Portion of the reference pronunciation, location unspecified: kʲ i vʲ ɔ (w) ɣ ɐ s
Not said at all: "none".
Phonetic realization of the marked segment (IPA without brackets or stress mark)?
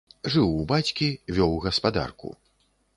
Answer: w